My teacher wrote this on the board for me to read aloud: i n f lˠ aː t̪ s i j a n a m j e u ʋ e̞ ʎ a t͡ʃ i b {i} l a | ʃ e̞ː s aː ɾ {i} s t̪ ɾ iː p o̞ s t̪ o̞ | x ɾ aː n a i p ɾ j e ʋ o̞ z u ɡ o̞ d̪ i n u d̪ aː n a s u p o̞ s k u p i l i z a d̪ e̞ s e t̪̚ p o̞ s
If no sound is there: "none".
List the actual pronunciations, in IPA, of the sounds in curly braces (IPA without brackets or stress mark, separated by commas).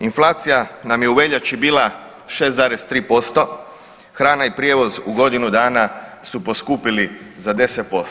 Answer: iː, e